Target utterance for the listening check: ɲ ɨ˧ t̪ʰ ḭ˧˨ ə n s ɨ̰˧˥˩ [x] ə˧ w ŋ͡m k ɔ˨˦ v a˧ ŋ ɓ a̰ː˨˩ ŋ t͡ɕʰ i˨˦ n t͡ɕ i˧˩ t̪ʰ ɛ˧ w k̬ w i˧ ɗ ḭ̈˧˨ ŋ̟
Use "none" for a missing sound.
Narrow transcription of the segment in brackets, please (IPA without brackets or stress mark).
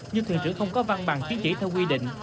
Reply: x